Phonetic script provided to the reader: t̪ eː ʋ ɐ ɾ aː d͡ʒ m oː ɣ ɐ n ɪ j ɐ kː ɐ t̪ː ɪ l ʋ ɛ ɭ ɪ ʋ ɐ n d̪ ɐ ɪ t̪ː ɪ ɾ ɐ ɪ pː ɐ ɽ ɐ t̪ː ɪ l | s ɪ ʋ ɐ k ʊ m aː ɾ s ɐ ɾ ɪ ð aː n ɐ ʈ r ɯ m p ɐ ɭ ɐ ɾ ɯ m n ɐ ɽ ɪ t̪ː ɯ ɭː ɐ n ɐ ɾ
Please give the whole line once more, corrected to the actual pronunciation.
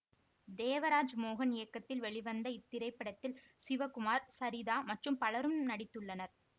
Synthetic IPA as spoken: d̪ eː ʋ ɐ ɾ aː d͡ʒ m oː ɣ ɐ n ɪ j ɐ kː ɐ t̪ː ɪ l ʋ ɛ ɭ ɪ ʋ ɐ n d̪ ɐ ɪ t̪ː ɪ ɾ ɐ ɪ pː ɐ ɽ ɐ t̪ː ɪ l | s ɪ ʋ ɐ k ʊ m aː ɾ s ɐ ɾ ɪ ð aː m ɐ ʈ r ɯ m p ɐ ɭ ɐ ɾ ɯ m n ɐ ɽ ɪ t̪ː ɯ ɭː ɐ n ɐ ɾ